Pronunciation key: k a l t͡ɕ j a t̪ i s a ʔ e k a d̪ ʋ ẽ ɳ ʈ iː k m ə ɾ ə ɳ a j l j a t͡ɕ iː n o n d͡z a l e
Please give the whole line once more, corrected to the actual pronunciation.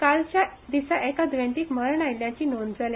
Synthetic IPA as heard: k a l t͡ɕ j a d̪ i s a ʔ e k a d̪ ʋ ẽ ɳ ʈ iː k m ə ɾ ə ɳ a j l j a t͡ɕ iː n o n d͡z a l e